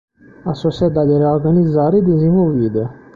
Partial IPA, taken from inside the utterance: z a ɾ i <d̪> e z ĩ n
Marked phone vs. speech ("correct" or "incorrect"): correct